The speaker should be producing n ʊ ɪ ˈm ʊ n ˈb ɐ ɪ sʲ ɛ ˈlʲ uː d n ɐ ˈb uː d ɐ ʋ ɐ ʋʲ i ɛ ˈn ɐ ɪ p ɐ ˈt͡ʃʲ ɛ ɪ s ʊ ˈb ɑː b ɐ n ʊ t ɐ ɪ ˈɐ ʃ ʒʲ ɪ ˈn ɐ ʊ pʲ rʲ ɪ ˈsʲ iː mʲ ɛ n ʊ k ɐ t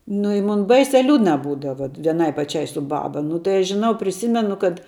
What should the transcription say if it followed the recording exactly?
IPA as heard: n ʊ ɪ ˈm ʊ n ˈb ɐ ɪ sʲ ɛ ˈlʲ uː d n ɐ ˈb uː d ɐ ʋ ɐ ʋʲ i ɛ ˈn ɐ ɪ p ɐ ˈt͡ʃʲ ɛ ɪ s ʊ ˈb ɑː b ɐ n ʊ t ɐ ɪ ˈɐ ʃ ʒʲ ɪ ˈn ɐ ʊ pʲ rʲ ɪ ˈsʲ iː mʲ ɛ n ʊ k ɐ t